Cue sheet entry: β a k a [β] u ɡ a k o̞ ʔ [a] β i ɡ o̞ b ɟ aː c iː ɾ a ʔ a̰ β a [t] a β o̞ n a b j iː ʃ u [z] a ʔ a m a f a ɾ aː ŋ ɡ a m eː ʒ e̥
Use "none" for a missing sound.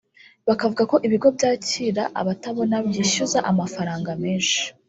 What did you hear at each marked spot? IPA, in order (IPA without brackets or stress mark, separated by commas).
v, i, t, z